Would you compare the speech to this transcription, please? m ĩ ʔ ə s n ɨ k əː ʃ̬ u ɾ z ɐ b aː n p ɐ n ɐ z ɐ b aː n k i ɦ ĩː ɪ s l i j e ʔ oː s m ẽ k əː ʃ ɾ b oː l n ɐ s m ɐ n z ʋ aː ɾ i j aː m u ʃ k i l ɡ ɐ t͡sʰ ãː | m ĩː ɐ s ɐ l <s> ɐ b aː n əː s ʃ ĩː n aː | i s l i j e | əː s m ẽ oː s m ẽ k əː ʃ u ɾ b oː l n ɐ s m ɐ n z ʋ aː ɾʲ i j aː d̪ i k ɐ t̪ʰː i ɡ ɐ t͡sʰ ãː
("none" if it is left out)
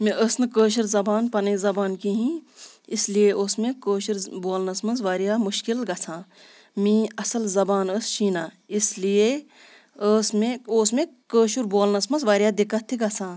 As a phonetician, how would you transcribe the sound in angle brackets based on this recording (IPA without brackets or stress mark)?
z